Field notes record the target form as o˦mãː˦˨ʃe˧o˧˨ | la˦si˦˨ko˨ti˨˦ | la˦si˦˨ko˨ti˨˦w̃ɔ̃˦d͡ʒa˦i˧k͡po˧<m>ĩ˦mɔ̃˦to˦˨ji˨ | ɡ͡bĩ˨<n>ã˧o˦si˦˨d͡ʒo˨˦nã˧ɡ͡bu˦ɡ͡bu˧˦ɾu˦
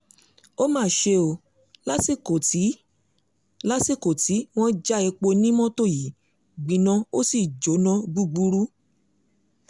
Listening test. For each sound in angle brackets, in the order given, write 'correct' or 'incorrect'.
incorrect: n, correct

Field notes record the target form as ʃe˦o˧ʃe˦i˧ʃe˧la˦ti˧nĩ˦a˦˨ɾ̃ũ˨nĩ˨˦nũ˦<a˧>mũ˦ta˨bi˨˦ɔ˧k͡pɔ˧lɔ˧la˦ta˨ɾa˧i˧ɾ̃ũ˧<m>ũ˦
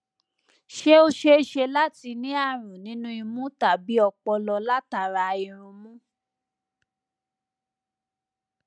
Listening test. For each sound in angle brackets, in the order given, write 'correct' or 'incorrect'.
incorrect: i˧, correct

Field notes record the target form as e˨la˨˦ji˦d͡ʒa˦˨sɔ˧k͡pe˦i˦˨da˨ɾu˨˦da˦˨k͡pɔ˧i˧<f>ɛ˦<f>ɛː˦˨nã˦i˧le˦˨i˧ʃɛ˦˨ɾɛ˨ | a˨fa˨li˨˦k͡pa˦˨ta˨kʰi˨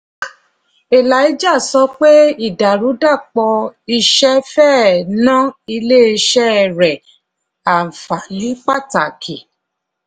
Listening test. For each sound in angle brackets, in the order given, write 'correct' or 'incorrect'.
incorrect: ʃ, correct

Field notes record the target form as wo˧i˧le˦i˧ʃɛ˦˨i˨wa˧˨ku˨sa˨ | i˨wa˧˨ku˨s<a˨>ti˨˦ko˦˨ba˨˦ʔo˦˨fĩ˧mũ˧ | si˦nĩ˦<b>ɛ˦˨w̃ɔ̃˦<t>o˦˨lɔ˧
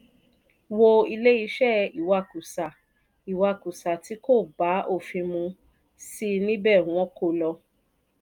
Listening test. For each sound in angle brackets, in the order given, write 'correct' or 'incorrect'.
correct, correct, incorrect: k

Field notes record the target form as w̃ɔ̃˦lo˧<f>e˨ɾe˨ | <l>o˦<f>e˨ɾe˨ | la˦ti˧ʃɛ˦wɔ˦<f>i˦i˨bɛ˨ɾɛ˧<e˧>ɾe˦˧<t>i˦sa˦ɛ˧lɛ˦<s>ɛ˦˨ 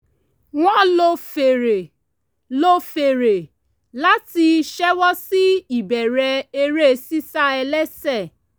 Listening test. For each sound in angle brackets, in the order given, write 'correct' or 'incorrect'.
correct, correct, correct, incorrect: s, correct, incorrect: s, correct

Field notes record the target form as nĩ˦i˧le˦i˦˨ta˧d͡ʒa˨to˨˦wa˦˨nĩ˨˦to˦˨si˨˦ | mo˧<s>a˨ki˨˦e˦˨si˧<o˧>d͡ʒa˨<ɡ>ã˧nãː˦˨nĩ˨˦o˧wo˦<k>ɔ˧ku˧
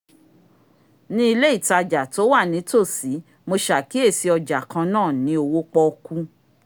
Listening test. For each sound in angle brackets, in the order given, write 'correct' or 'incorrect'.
incorrect: ʃ, incorrect: ɔ˧, incorrect: k, incorrect: k͡p

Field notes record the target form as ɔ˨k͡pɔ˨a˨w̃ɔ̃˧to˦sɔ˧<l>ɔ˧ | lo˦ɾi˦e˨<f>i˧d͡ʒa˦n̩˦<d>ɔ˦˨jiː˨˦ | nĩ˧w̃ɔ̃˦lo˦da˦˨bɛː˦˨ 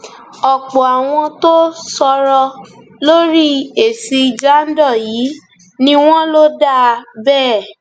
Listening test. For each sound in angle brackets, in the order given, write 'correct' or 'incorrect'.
incorrect: ɾ, incorrect: s, correct

